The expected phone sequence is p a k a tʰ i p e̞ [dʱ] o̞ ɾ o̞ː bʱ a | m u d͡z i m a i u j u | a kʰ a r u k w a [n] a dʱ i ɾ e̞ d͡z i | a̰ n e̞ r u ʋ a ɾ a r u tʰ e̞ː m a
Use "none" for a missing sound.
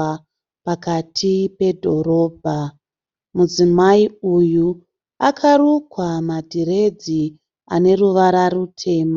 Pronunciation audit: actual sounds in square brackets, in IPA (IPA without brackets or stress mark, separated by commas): dʱ, m